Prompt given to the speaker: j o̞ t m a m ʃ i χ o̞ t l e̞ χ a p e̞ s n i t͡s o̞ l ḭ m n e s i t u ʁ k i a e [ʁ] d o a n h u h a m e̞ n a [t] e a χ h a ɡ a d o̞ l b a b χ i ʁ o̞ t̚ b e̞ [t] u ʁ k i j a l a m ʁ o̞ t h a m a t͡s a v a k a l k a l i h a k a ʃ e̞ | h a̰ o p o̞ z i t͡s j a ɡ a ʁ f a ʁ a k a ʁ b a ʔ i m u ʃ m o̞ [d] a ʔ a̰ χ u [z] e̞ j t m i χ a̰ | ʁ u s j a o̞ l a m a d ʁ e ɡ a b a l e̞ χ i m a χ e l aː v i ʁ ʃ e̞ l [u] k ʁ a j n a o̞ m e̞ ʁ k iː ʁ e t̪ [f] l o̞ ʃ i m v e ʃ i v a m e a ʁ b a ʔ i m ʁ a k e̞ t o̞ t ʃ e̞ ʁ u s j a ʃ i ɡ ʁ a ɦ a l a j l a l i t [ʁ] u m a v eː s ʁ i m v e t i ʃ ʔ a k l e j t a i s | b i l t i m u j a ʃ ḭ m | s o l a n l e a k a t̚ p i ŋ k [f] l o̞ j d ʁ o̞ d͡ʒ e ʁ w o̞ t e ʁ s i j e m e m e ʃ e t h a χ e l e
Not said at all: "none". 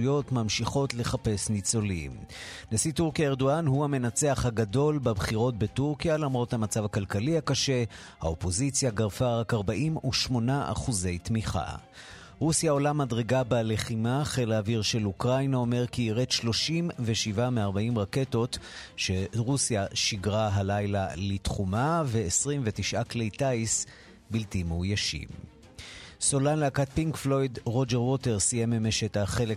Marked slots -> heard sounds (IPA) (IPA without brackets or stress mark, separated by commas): ʁ, t͡s, t, n, z, u, ʃ, χ, f